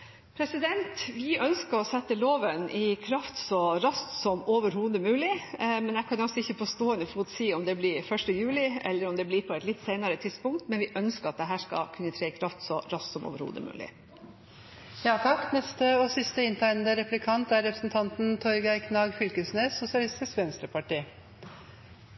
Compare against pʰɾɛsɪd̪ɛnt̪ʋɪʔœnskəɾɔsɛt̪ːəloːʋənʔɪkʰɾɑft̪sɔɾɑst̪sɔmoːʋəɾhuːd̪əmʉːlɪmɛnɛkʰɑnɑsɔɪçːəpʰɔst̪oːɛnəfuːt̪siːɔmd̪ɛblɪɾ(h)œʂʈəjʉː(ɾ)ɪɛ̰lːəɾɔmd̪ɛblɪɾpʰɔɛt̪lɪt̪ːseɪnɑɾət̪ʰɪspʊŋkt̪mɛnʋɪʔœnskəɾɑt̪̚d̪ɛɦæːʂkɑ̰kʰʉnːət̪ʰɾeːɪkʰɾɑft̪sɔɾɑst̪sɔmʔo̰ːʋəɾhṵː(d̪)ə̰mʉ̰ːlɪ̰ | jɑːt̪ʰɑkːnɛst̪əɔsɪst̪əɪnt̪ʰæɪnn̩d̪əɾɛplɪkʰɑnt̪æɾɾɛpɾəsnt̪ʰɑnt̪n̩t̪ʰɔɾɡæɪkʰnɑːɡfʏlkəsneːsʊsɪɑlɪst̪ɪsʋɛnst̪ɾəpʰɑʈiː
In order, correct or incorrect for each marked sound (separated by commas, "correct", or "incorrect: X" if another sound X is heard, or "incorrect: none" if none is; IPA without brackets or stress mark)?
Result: incorrect: f, incorrect: l, correct